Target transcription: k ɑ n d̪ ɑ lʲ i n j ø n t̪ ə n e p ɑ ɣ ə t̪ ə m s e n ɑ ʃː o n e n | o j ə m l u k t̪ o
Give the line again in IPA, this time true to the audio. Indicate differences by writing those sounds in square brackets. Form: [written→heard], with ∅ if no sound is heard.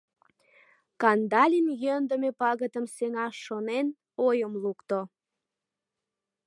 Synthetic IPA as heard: k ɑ n d̪ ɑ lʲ i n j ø n [t̪→d̪] ə [n→m] e p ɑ ɣ ə t̪ ə m s e [n→ŋ] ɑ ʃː o n e n | o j ə m l u k t̪ o